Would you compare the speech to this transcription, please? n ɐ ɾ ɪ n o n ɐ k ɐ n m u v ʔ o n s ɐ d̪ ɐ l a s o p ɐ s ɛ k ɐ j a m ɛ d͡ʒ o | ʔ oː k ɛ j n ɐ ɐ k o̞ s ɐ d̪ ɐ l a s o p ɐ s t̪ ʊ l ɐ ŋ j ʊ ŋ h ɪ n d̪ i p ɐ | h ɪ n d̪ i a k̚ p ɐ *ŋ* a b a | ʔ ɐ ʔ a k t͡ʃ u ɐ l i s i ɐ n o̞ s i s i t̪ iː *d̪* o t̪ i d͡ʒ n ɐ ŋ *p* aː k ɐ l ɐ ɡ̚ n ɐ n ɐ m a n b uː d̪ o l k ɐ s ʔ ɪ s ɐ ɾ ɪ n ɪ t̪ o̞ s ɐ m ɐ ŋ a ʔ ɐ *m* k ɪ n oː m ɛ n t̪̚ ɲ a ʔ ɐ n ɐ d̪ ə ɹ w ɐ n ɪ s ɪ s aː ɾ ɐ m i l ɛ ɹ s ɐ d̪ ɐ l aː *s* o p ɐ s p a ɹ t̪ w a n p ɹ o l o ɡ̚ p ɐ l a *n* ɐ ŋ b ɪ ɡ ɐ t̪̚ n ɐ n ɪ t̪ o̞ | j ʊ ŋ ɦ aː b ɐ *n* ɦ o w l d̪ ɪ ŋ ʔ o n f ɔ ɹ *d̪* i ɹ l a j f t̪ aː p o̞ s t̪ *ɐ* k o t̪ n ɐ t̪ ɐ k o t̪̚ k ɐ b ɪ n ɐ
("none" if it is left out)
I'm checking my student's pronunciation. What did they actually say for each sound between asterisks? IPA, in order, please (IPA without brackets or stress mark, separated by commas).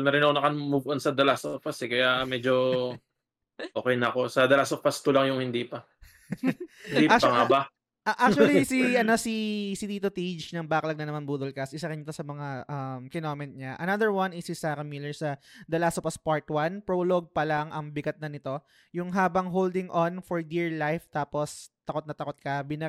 ŋ, t̪, b, m, s, ŋ, ŋ, d̪, ɐ